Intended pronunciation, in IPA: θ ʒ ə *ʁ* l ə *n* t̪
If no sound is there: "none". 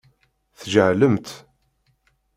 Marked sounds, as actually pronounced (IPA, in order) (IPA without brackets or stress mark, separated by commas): ʕ, m